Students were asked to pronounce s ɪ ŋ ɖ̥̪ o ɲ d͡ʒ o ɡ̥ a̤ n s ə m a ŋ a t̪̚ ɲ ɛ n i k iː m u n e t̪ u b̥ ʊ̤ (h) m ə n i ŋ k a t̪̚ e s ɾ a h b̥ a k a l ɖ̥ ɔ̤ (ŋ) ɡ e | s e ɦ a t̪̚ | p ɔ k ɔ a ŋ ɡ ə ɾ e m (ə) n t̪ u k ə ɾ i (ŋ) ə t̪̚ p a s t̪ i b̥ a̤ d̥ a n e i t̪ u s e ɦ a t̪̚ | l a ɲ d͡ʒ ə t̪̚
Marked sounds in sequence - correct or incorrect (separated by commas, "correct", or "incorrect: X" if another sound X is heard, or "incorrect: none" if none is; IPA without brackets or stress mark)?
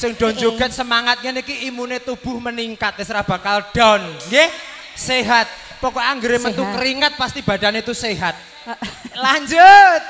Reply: correct, incorrect: n, correct, correct